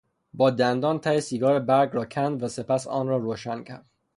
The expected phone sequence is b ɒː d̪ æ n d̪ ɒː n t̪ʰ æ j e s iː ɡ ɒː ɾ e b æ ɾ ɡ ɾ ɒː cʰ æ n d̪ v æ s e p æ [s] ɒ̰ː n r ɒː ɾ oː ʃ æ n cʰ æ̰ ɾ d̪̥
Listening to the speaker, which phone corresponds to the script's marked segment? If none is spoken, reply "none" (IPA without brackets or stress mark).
s